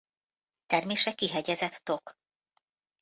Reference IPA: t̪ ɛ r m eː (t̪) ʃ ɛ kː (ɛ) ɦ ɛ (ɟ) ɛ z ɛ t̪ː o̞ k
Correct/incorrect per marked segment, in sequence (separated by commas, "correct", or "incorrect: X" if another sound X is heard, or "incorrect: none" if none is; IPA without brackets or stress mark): incorrect: none, incorrect: i, correct